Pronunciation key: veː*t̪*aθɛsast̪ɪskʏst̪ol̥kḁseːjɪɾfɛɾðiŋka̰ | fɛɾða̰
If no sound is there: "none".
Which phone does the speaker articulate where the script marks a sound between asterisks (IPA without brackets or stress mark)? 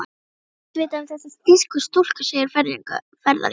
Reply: t̪